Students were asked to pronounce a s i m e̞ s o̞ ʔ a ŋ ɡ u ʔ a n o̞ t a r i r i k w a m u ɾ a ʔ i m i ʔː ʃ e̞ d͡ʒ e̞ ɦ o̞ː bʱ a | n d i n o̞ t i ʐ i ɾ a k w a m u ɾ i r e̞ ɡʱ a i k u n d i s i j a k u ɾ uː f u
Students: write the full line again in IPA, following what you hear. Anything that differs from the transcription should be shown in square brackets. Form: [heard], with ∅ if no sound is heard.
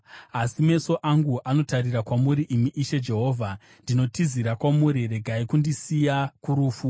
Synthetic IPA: a s i m e̞ s o̞ ʔ a ŋ ɡ u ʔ a n o̞ t a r i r [a] k w a m u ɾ [i] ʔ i m i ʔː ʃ e̞ d͡ʒ e̞ ɦ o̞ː [vʱ] a | n d i n o̞ t i [z] i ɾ a k w a m u ɾ i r e̞ ɡʱ a i k u n d i s i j a k u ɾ uː f u